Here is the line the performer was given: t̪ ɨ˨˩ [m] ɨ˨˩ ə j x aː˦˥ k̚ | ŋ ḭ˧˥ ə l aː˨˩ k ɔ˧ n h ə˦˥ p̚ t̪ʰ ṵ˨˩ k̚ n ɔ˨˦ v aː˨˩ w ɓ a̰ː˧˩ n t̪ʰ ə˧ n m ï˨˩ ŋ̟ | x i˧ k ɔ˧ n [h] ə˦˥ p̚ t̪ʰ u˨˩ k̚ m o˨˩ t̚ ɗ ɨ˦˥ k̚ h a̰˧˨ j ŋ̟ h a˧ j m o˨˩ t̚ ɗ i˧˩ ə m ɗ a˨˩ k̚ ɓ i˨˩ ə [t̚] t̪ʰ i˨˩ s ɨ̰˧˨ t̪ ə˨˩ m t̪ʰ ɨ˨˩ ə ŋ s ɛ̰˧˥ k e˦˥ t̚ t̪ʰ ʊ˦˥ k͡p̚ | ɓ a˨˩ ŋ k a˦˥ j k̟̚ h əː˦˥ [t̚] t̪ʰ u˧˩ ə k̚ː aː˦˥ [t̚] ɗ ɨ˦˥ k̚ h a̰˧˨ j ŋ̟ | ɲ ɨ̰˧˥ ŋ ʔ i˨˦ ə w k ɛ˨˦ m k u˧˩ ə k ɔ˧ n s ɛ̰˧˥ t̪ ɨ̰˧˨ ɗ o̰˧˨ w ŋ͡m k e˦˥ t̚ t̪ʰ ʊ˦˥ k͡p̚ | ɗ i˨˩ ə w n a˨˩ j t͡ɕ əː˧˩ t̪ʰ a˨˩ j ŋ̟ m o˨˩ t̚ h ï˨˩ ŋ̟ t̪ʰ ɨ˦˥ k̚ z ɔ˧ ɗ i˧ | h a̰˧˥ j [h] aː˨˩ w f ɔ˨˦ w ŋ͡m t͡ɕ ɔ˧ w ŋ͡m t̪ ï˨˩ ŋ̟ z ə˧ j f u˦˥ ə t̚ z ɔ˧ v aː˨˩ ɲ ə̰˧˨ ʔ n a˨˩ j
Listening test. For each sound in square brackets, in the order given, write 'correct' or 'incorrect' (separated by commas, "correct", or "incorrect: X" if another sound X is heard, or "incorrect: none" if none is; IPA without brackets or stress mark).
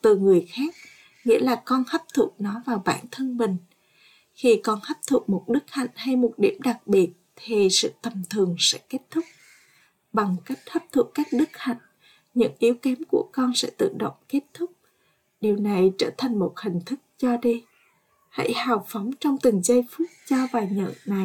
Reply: incorrect: ŋ, correct, correct, incorrect: p̚, incorrect: k̚, correct